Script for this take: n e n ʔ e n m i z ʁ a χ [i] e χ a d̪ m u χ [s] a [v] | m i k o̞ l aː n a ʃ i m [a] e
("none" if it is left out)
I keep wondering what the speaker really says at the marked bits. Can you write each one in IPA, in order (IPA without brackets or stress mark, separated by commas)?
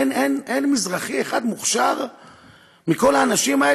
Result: i, ʃ, ʁ, a